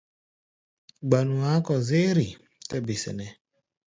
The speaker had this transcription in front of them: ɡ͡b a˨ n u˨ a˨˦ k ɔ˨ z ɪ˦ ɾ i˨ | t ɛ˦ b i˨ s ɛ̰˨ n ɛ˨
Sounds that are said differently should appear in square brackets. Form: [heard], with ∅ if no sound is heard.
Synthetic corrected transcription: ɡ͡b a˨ n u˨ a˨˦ k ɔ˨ z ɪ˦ ɾ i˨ | t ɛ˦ b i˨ s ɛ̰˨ n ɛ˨